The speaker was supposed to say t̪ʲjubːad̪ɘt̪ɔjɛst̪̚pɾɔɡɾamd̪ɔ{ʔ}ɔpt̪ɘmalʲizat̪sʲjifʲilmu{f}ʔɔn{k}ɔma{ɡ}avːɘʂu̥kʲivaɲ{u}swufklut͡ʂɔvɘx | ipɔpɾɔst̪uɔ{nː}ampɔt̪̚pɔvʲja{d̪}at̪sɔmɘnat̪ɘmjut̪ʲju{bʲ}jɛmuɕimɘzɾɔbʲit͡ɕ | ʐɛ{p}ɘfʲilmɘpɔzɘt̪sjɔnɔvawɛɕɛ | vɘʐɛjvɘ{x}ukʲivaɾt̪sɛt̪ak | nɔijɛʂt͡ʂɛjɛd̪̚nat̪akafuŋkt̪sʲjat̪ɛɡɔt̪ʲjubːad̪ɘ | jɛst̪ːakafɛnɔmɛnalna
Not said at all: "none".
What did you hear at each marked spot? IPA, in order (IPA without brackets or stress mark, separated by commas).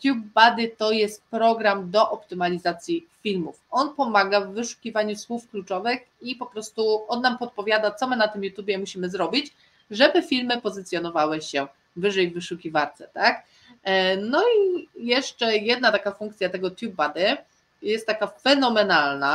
ʔ, f, p, ɡ, u, nː, d̪, bʲ, b, ʂ